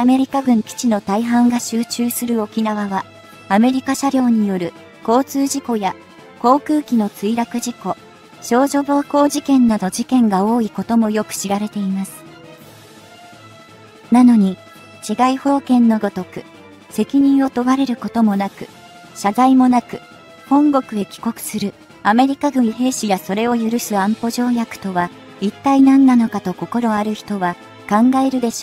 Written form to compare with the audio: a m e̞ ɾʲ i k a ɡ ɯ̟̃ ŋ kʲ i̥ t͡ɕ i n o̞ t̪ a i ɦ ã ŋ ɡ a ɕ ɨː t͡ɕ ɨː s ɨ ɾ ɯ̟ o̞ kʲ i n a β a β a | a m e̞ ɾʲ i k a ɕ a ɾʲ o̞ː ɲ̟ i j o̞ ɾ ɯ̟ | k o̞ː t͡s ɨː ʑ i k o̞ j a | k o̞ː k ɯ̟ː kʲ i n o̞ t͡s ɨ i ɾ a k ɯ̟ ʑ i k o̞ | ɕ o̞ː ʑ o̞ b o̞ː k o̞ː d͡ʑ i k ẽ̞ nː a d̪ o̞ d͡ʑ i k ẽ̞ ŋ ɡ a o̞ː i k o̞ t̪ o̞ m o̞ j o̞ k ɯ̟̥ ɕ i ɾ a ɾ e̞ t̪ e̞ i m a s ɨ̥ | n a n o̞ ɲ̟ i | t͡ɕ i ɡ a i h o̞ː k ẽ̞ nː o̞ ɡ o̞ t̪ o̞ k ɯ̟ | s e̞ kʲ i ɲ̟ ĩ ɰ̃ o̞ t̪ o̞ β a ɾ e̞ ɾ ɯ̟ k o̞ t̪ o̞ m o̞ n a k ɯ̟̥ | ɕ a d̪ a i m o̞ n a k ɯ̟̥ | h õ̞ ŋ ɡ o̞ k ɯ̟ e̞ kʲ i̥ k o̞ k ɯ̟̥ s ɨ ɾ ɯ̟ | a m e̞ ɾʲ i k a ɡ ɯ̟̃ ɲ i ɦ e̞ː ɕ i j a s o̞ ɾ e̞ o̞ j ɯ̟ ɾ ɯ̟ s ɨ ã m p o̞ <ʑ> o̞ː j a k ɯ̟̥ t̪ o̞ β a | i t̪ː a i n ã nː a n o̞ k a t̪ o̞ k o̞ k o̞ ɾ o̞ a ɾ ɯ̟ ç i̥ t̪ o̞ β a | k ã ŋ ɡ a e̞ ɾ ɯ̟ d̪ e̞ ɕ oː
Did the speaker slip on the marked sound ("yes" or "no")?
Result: no